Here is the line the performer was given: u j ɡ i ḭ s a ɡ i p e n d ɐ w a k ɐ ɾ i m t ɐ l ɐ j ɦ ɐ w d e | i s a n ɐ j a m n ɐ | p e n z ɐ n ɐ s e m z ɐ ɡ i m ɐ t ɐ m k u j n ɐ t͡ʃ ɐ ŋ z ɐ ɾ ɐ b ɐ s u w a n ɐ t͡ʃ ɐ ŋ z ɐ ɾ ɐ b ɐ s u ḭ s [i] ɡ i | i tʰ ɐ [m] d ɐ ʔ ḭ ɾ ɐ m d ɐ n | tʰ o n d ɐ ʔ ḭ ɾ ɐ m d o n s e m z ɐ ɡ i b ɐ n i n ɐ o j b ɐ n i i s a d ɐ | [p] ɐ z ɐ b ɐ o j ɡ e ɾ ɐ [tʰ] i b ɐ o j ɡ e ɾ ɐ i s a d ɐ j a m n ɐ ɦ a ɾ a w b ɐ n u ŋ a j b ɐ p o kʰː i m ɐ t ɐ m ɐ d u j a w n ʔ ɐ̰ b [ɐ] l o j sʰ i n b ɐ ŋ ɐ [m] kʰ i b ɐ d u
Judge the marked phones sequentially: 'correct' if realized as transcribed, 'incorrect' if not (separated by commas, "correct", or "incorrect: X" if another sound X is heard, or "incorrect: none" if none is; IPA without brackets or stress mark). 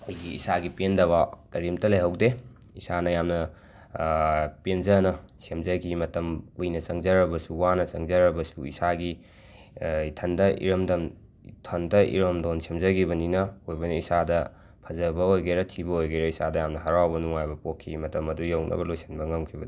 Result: incorrect: a, incorrect: n, incorrect: pʰ, correct, correct, correct